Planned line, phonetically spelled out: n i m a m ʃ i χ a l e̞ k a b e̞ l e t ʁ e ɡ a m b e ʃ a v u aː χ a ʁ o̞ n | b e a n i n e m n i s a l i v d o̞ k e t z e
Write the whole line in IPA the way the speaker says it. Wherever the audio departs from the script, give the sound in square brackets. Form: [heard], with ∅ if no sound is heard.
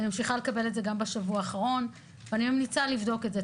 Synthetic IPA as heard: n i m a m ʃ i χ a l e̞ k a b e̞ l e t [z] e ɡ a m b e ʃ a v u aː χ a ʁ o̞ n | [v] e a n i [m] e m n i [t͡s] a l i v d o̞ k e t z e